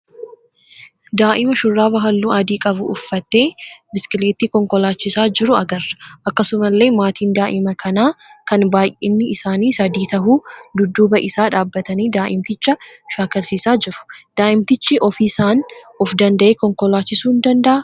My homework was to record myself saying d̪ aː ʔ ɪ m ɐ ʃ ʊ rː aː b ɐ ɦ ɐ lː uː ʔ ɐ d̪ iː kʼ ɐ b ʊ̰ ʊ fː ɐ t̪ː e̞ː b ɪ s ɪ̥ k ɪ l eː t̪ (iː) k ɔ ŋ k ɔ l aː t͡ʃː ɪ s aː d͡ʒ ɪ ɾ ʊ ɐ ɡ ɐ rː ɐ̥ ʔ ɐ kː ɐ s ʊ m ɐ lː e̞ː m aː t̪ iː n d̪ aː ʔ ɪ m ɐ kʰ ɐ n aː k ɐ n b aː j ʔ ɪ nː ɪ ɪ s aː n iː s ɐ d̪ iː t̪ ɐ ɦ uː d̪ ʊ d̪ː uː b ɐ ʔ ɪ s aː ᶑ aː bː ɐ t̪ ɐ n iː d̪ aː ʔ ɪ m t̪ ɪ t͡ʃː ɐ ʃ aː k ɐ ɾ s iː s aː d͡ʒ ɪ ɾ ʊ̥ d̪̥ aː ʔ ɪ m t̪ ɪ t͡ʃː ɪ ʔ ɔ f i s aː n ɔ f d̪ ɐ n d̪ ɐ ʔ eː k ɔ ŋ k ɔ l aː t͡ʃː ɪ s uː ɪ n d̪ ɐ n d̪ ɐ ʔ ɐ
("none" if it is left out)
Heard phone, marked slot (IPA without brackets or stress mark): iː